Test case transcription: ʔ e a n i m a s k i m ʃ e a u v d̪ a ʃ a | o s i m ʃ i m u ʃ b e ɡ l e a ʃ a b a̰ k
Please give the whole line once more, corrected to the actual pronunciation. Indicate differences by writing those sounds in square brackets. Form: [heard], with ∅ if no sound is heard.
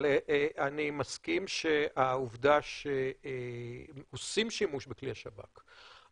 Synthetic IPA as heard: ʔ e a n i m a s k i m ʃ e a u v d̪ a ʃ [e] | o s i m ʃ i m u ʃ b e [k] l [i] a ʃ a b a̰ k